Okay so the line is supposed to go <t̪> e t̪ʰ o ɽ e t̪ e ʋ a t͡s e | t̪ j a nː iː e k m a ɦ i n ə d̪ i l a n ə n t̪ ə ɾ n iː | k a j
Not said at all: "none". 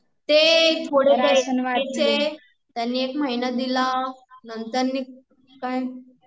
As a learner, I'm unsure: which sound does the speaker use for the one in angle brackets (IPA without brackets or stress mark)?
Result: t̪